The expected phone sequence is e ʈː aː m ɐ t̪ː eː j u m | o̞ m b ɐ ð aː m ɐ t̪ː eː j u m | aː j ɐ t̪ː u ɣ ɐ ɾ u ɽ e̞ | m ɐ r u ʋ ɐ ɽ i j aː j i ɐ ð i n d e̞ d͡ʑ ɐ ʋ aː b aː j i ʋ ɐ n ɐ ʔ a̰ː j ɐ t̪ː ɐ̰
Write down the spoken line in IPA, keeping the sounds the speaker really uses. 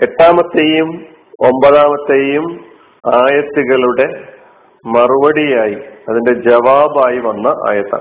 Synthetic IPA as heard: e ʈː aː m ɐ t̪ː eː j u m | o̞ m b ɐ ð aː m ɐ t̪ː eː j u m | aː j ɐ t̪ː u ɣ ɐ ɭ u ɽ e̞ | m ɐ r u ʋ ɐ ɽ i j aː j i ɐ ð i n d e̞ d͡ʑ ɐ ʋ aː b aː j i ʋ ɐ nː ɐ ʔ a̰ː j ɐ t̪ː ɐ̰